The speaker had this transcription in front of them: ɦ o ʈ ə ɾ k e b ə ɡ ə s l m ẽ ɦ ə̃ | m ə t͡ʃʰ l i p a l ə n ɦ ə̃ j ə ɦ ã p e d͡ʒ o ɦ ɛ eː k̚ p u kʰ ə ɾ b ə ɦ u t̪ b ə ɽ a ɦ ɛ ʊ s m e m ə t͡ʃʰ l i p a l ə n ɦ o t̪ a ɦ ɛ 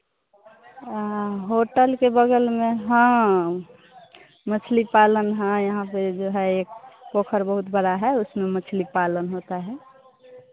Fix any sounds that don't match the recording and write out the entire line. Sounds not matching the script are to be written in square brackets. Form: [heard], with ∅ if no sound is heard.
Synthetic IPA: ɦ o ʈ ə [l] k e b ə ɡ ə [∅] l m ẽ ɦ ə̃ | m ə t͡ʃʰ l i p a l ə n ɦ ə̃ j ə ɦ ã p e d͡ʒ o ɦ ɛ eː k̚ p [o] kʰ ə ɾ b ə ɦ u t̪ b ə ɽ a ɦ ɛ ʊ s m e m ə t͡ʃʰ l i p a l ə n ɦ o t̪ a ɦ ɛ